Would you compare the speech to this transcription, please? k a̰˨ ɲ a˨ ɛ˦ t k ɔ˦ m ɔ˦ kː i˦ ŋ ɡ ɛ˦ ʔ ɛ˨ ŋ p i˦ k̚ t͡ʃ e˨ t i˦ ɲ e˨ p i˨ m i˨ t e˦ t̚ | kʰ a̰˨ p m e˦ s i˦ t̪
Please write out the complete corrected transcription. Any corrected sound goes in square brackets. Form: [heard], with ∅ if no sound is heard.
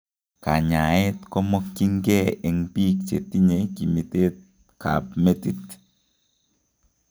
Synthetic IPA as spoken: k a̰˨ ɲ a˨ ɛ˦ t k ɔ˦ m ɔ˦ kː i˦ ŋ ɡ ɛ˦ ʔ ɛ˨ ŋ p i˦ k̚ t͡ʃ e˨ t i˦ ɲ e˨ [k] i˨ m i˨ t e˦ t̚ | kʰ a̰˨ p m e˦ [t] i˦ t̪